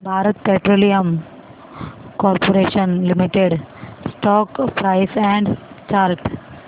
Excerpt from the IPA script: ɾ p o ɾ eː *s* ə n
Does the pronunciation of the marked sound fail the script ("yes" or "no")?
yes